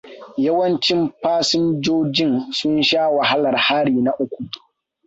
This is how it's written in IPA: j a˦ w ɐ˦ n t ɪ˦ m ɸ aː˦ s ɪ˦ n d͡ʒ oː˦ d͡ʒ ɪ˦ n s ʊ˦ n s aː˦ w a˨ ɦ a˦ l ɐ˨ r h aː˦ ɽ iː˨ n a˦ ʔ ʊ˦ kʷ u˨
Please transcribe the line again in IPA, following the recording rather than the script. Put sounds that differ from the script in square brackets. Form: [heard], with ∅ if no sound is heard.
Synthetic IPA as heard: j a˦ w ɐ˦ n [t͡ʃ] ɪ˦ m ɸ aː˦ s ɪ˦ n d͡ʒ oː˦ d͡ʒ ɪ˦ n s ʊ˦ n [ʃ] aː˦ w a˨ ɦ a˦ l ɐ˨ r h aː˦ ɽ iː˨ n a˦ ʔ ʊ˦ kʷ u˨